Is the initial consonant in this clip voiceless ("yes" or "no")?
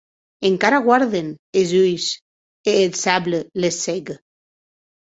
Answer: no